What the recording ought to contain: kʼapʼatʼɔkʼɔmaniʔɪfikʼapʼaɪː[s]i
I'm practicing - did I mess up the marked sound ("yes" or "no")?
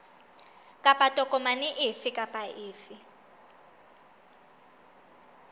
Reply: yes